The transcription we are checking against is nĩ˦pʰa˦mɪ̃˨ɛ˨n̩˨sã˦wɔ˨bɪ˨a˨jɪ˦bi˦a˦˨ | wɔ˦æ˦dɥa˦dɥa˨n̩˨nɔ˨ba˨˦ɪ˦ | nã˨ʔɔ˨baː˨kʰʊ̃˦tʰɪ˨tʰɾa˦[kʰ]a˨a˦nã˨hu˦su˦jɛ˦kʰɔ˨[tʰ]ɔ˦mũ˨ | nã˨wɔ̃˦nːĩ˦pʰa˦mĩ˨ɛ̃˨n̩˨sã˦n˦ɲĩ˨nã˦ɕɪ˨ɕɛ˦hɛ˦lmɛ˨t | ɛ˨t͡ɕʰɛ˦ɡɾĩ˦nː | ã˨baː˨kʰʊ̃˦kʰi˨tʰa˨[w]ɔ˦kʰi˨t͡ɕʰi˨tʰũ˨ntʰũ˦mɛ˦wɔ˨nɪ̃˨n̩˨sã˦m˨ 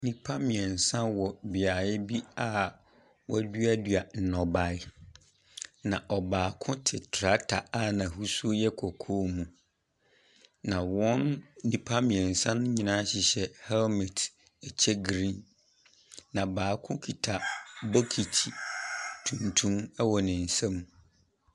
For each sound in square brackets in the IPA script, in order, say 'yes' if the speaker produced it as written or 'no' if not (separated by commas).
no, no, no